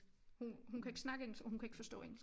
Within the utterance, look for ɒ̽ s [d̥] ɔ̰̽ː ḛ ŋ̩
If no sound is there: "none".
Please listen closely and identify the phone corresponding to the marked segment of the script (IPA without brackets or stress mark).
d̥